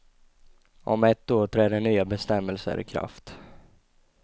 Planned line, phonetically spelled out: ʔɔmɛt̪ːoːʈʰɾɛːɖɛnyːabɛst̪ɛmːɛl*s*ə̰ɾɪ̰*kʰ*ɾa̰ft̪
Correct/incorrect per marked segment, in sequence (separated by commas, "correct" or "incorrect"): correct, correct